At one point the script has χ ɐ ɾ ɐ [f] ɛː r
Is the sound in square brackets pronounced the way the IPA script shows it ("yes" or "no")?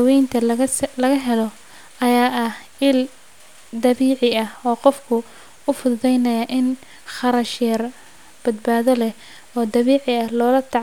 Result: no